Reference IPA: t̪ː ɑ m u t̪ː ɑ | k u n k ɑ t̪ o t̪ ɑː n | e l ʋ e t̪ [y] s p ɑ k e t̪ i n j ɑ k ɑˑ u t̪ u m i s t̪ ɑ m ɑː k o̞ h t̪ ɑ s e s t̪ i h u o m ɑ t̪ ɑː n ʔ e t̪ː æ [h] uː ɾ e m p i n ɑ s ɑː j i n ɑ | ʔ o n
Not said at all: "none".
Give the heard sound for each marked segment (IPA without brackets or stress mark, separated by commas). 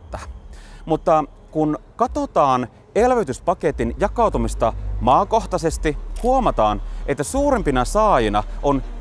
y, s